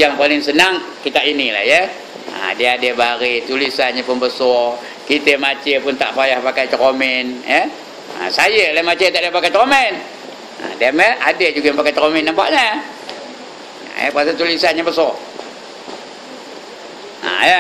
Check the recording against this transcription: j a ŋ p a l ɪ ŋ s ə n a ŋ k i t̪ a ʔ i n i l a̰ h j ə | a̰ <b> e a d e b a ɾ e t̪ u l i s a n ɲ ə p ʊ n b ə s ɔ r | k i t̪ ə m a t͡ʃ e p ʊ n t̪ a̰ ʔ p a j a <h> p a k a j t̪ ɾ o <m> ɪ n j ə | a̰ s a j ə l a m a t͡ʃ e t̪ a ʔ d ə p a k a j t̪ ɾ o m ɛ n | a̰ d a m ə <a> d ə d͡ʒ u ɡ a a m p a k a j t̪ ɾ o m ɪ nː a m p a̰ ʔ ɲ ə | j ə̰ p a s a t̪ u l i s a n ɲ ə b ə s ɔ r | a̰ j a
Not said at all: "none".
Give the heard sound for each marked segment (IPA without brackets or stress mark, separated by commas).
d, h, m, a